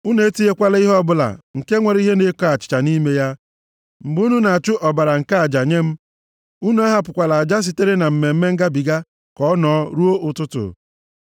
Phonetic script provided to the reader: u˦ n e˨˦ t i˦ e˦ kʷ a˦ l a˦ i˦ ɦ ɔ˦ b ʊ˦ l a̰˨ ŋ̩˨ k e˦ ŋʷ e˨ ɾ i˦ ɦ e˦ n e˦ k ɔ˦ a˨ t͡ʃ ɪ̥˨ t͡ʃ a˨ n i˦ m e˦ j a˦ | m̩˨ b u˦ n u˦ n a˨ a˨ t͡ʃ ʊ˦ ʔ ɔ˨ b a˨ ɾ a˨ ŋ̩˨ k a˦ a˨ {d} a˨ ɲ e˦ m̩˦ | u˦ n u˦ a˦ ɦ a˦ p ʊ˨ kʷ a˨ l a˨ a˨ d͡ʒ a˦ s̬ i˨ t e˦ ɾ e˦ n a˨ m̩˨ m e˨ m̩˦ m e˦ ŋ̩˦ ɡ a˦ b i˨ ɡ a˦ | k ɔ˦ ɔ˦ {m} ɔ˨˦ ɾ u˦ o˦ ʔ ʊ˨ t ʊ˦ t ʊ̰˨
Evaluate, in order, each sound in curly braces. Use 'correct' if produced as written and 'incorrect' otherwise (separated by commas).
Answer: incorrect, incorrect